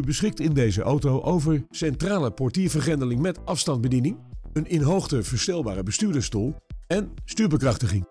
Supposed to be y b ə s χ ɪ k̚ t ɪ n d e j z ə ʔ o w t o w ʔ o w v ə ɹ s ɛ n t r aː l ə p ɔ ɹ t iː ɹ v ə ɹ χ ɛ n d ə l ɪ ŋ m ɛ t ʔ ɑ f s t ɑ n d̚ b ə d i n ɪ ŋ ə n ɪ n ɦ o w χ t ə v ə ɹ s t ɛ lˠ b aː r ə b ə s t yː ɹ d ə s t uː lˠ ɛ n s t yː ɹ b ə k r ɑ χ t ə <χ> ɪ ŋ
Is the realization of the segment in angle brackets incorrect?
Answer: no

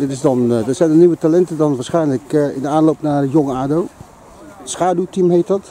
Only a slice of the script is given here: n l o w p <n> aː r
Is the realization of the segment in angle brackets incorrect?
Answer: no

